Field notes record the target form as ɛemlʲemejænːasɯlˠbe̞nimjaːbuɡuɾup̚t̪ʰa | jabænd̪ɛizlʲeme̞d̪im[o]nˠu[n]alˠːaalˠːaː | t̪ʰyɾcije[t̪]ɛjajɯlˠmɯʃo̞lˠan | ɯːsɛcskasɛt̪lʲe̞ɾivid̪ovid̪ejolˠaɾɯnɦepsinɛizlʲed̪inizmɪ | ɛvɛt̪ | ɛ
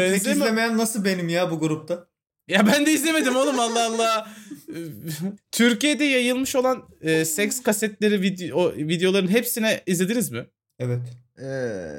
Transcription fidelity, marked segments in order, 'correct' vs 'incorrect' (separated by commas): correct, incorrect, incorrect